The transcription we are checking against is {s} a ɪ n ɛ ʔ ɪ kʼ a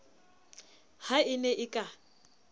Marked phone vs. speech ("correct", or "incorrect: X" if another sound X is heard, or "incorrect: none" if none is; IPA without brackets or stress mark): incorrect: h